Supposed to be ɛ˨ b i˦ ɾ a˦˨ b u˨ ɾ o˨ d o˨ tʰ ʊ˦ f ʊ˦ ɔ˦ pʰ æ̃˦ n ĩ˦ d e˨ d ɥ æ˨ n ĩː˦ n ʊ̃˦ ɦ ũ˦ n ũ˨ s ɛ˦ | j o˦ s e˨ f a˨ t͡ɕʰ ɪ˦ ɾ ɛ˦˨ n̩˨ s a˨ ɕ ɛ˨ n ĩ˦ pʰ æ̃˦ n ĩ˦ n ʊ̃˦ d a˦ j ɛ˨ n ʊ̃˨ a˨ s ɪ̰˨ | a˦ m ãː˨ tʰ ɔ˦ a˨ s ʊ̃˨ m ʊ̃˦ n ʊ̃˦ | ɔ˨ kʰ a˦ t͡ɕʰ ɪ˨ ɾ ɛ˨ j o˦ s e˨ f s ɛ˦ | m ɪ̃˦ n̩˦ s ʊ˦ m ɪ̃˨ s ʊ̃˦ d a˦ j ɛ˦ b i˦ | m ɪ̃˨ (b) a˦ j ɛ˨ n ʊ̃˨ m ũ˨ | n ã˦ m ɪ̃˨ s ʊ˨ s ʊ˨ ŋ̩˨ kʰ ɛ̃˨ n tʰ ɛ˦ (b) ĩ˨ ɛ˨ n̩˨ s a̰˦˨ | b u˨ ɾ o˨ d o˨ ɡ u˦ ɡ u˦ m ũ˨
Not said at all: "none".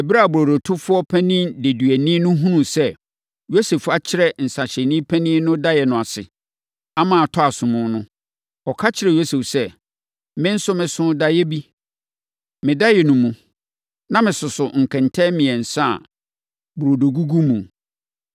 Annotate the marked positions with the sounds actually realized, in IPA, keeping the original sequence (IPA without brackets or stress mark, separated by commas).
d, m